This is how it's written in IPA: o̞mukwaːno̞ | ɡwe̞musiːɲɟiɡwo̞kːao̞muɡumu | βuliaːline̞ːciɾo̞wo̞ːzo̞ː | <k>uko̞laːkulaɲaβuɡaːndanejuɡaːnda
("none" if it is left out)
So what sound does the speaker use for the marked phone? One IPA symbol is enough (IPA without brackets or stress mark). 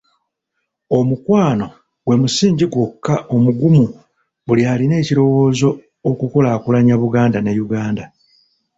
k